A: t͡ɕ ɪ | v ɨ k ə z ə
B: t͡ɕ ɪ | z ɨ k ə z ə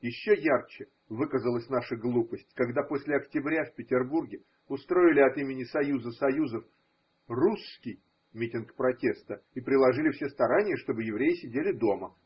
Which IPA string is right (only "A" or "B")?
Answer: A